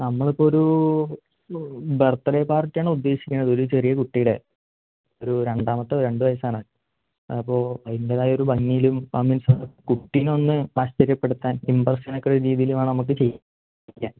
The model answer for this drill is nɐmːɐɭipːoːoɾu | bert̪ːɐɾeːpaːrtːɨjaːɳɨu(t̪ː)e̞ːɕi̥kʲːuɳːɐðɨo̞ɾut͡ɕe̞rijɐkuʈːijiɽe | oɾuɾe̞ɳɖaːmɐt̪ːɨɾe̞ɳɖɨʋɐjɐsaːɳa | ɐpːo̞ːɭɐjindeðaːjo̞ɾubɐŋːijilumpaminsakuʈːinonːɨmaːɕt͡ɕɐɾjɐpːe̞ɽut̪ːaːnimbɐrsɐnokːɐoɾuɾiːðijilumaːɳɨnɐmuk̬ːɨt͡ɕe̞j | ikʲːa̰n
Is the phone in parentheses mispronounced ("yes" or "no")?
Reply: yes